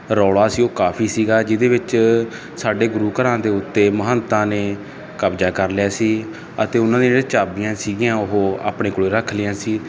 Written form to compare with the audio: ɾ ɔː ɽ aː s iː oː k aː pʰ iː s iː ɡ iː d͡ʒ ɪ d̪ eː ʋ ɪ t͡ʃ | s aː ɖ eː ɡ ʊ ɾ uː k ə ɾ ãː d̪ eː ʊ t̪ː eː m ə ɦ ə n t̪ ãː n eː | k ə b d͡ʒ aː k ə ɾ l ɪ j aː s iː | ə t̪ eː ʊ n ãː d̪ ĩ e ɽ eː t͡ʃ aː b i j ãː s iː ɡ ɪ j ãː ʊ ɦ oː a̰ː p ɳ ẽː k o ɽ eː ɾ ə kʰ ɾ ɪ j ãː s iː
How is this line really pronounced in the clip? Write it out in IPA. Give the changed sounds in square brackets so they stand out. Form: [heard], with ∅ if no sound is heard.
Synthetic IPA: ɾ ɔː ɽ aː s iː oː k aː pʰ iː s iː ɡ [aː] d͡ʒ ɪ d̪ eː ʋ ɪ t͡ʃ | s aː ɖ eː ɡ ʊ ɾ uː k ə ɾ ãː d̪ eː ʊ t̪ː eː m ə ɦ ə n t̪ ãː n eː | k ə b d͡ʒ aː k ə ɾ l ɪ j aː s iː | ə t̪ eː ʊ n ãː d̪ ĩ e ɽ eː t͡ʃ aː b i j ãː s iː ɡ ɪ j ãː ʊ ɦ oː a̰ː p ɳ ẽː k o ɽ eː ɾ ə kʰ [l] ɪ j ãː s iː